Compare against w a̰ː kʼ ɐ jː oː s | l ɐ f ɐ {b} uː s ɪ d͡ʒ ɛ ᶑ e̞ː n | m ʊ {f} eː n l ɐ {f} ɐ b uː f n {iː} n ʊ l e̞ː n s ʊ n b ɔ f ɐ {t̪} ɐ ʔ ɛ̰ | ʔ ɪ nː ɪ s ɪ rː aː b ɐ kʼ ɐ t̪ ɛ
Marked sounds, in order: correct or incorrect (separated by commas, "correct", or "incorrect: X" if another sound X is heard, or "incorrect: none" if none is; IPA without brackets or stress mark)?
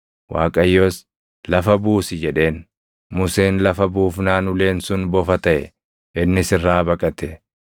correct, incorrect: s, correct, incorrect: aː, correct